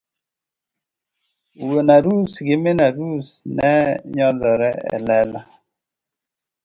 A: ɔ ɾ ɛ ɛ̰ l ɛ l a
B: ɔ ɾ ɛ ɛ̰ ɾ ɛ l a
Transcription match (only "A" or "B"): A